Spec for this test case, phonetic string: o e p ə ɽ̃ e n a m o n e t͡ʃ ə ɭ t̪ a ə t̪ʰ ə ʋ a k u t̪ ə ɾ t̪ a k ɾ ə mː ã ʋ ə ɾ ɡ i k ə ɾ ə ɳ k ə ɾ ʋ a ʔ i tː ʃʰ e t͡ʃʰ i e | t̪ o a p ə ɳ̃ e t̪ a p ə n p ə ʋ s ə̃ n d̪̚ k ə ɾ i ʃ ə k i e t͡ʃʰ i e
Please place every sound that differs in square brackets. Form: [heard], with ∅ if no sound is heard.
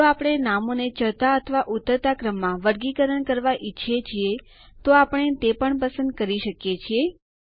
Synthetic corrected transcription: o [a] p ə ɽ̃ e n a m o n e t͡ʃ ə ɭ t̪ a ə t̪ʰ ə ʋ a [ʔ] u t̪ ə ɾ t̪ a k ɾ ə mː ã ʋ ə ɾ ɡ i k ə ɾ ə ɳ k ə ɾ ʋ a ʔ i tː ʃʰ e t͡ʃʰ i e | t̪ o a p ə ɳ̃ e t̪ [e] p ə [ɳ] p ə [∅] s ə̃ n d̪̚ k ə ɾ i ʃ ə k [j] e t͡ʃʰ i e